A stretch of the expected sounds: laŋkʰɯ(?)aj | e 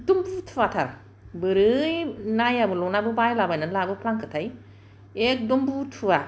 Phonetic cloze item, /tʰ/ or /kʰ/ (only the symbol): tʰ